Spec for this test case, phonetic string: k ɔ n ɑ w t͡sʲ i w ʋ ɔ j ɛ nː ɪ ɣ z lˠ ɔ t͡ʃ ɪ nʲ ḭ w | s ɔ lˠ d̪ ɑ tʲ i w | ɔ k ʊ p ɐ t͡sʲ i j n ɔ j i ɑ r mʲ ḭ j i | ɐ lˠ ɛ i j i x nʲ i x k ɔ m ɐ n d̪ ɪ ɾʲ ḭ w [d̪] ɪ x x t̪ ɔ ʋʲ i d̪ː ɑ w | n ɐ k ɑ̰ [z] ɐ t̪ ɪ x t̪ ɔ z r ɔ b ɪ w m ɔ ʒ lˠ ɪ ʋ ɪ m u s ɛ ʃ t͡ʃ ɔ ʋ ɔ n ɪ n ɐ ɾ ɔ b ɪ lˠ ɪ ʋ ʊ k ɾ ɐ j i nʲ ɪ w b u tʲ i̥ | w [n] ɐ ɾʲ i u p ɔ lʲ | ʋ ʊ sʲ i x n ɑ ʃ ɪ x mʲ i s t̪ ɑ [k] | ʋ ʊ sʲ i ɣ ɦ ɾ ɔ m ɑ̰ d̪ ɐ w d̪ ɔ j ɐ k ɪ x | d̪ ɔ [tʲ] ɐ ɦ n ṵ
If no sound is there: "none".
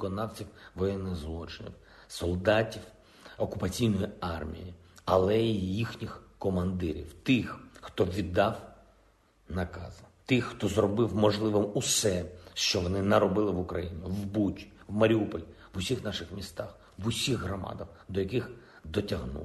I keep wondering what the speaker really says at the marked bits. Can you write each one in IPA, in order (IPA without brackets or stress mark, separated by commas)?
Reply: t̪, z, m, x, tʲ